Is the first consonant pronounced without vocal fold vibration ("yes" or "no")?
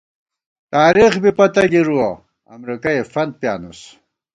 yes